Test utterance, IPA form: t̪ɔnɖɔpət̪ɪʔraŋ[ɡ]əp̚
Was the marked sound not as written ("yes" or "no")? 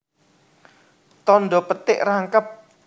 yes